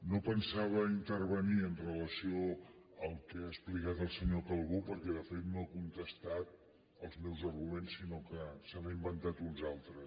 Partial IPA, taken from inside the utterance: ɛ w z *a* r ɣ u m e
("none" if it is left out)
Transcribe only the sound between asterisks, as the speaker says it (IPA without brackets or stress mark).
ə